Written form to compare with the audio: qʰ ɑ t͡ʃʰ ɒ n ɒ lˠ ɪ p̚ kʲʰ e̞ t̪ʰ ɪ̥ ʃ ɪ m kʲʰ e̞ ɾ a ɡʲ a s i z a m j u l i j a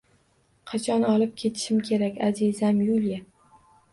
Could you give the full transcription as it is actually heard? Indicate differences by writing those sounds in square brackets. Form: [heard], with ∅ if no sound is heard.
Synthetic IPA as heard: qʰ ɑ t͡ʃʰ ɒ n ɒ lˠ ɪ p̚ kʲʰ e̞ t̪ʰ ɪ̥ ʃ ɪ m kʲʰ e̞ ɾ a [kʲ] a [z] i z a m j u l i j a